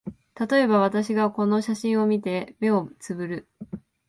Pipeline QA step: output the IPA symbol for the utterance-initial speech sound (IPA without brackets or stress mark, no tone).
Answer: t̪